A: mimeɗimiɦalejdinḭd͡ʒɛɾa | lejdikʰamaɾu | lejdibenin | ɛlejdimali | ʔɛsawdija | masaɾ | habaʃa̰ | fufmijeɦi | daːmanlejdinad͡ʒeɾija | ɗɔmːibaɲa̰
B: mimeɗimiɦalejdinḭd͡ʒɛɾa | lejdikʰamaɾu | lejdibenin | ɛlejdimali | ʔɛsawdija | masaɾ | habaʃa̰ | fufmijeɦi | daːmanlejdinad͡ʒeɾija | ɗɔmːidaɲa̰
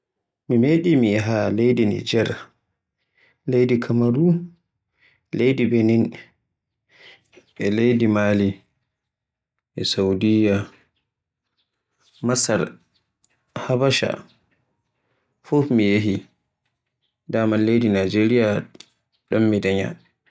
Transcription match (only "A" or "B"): B